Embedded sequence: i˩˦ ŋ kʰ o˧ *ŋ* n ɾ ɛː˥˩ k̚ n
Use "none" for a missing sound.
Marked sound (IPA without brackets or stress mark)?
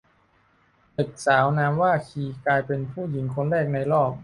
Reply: none